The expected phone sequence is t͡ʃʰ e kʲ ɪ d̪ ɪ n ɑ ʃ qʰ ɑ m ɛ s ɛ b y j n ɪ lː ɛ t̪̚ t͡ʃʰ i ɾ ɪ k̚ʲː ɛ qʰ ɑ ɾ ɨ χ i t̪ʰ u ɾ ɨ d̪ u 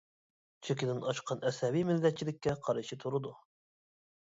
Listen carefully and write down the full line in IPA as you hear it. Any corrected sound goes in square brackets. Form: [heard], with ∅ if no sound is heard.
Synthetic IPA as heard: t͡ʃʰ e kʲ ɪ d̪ ɪ n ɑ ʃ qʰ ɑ [n] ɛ s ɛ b [i] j [m] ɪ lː ɛ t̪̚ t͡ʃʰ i [l] ɪ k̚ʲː ɛ qʰ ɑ ɾ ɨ [ʃ] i t̪ʰ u ɾ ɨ d̪ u